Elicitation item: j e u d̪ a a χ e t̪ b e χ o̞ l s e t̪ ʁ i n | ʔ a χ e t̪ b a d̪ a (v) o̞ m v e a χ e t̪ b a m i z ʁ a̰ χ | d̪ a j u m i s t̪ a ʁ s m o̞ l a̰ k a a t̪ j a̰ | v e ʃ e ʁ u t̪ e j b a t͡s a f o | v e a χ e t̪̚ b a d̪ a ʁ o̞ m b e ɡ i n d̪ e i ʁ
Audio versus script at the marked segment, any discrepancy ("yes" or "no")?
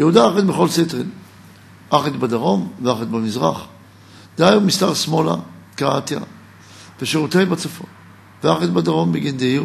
yes